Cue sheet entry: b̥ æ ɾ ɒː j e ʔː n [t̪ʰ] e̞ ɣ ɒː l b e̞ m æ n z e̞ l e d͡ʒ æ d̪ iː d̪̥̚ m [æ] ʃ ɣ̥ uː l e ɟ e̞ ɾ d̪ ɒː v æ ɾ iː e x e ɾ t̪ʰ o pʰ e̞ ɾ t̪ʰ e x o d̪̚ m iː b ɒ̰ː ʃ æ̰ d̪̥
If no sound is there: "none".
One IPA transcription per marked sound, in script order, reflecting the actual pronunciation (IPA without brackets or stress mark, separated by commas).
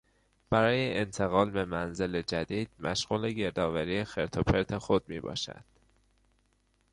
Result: t̪ʰ, æ